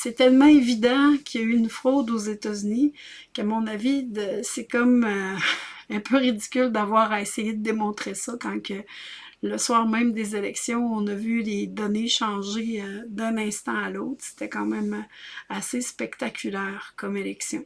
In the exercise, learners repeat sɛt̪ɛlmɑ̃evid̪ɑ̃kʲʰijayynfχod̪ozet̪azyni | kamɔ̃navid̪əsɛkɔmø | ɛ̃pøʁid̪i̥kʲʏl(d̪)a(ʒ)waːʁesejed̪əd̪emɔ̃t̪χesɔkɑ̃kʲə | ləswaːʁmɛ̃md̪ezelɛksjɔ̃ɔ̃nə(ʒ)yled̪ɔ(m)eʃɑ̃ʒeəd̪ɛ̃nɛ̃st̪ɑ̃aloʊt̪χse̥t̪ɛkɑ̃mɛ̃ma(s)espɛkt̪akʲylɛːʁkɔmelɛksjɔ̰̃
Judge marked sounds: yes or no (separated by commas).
yes, no, no, no, yes